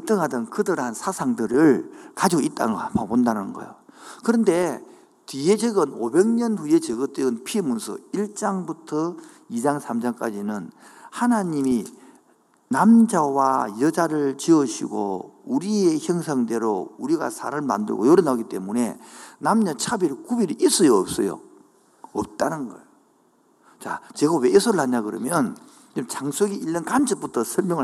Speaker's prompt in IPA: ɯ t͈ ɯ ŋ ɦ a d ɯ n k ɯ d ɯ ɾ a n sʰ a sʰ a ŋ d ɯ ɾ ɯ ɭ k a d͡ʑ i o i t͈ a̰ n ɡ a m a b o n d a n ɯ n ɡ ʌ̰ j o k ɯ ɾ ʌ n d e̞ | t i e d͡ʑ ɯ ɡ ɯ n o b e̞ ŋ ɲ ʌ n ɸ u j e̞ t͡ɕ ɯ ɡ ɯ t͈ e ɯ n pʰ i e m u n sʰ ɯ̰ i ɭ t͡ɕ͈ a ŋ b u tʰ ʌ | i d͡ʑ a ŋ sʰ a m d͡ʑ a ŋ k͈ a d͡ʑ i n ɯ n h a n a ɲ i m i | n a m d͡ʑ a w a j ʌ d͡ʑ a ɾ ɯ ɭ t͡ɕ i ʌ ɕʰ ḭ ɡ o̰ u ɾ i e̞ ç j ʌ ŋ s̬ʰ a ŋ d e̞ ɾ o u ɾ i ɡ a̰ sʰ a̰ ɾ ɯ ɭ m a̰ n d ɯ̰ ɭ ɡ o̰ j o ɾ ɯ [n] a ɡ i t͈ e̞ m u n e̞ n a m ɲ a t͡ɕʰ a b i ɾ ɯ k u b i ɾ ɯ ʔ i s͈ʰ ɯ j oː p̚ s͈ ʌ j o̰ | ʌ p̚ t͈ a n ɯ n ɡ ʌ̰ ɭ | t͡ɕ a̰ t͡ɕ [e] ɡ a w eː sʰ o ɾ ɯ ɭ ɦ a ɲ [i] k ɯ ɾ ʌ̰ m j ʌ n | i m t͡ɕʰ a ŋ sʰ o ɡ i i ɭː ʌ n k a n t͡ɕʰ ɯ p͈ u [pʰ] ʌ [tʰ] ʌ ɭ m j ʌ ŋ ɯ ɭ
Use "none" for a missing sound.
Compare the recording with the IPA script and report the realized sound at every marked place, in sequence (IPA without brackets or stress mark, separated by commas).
n, e, a, tʰ, sʰ